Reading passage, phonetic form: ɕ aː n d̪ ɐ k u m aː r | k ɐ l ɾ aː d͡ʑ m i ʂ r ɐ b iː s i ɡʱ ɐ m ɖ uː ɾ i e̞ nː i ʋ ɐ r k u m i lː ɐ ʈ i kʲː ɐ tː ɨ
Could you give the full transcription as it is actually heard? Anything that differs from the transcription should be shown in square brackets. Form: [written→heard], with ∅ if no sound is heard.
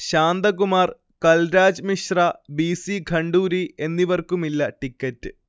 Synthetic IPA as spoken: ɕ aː n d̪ ɐ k u m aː r | k ɐ l ɾ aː d͡ʑ m i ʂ r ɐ b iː s i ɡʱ ɐ [m→ɳ] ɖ uː ɾ i e̞ nː i ʋ ɐ r k u m i lː ɐ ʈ i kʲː ɐ tː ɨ